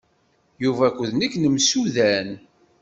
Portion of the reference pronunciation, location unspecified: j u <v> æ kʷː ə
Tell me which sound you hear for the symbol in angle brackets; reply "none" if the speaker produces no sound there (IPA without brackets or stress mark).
v